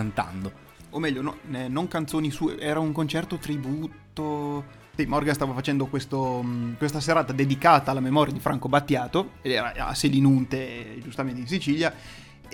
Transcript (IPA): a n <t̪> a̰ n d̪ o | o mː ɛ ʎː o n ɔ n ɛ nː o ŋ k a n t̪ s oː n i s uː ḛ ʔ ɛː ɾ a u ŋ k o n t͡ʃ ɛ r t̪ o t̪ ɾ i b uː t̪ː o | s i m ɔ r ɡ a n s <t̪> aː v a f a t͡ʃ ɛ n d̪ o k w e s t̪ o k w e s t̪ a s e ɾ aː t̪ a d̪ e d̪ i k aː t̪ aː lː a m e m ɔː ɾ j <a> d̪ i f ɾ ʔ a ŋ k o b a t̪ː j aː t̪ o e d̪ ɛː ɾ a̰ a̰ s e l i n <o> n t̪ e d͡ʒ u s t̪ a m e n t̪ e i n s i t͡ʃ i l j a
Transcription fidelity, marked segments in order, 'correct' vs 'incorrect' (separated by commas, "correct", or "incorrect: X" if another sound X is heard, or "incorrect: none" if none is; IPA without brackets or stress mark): correct, correct, correct, incorrect: u